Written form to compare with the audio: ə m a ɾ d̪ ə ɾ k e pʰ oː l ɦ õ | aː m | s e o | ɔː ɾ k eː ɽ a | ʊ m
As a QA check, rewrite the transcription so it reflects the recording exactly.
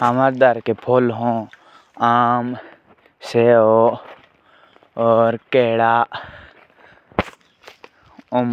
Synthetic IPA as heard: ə m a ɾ d̪ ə ɾ k e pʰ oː l ɦ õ | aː m | s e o | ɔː ɾ k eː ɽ a | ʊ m